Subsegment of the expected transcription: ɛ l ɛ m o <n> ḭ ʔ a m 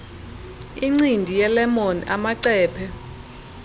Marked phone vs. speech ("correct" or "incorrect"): correct